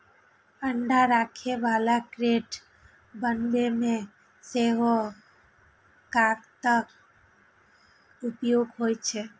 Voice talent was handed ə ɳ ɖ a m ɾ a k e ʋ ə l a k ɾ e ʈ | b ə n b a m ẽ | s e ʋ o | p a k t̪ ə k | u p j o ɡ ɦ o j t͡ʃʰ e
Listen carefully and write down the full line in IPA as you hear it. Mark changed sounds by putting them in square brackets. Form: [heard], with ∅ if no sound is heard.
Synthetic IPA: ə ɳ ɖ a [∅] ɾ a [kʰ] e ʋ [a] l a k ɾ e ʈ | b ə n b [e] m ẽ | s e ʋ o | [k] a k t̪ ə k | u p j o ɡ ɦ o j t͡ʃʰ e